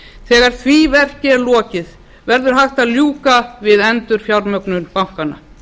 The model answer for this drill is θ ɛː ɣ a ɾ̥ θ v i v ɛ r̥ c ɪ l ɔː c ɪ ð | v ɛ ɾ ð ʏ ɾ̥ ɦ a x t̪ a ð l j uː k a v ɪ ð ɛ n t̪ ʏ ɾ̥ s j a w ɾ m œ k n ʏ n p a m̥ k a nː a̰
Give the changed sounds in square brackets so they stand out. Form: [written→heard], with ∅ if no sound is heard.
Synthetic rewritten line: θ ɛː ɣ a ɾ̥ θ v i v ɛ r̥ c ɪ l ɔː c ɪ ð | v ɛ ɾ ð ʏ ɾ̥ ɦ a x t̪ a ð l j uː k a v ɪ ð ɛ n t̪ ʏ ɾ̥ [s→f] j a w ɾ m œ k n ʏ n p a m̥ k a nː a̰